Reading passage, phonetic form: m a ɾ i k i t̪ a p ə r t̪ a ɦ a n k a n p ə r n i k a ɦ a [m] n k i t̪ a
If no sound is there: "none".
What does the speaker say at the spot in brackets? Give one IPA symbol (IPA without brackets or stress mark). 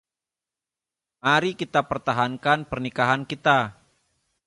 none